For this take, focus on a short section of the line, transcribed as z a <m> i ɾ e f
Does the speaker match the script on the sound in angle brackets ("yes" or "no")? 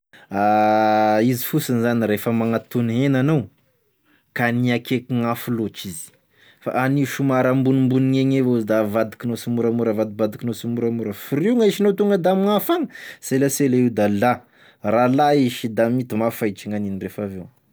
no